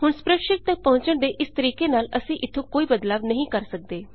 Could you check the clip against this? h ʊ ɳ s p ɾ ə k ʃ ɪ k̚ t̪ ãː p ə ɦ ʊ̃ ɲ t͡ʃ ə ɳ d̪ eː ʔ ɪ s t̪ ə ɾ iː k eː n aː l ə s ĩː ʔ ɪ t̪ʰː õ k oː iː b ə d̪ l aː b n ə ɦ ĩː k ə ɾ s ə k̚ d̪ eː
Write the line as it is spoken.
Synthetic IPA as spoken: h ʊ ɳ s p ɾ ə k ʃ ɪ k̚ t̪ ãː p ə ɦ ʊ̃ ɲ t͡ʃ ə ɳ d̪ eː ʔ ɪ s t̪ ə ɾ iː k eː n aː l ə s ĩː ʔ ɪ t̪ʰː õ k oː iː b ə d̪ l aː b n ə ɦ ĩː k ə ɾ s ə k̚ d̪ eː